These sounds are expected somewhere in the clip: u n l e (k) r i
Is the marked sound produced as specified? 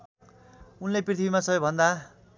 no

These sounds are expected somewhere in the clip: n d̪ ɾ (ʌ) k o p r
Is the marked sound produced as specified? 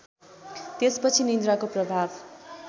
no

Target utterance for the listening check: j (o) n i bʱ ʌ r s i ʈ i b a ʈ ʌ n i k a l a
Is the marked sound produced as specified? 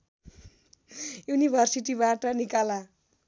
no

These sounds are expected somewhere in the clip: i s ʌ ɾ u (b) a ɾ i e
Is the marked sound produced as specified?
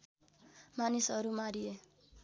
no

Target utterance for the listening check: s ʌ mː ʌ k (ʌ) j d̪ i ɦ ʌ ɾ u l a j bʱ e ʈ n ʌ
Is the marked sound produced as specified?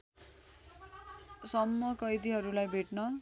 yes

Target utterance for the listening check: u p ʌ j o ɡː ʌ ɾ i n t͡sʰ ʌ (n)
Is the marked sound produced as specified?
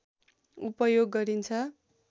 no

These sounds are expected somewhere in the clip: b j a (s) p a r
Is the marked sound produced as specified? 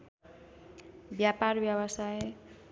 no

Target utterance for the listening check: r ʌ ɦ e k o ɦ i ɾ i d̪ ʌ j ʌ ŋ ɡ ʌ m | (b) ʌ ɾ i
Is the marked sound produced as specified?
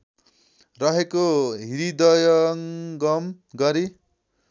no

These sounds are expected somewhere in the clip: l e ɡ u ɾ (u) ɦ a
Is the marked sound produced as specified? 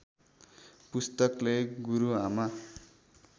yes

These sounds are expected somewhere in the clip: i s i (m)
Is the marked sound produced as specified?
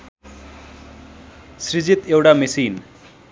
no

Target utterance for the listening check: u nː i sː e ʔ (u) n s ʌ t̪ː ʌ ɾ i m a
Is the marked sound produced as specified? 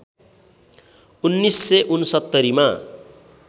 yes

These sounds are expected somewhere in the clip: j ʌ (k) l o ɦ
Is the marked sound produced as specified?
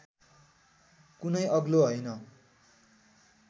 no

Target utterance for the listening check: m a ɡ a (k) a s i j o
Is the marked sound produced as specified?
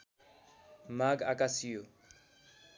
yes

